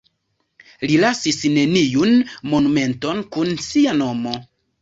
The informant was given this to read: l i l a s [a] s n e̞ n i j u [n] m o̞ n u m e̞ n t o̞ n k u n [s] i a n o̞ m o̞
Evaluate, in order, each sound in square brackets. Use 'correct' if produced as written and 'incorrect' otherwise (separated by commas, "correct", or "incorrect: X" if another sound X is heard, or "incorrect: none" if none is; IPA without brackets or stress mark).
incorrect: i, correct, correct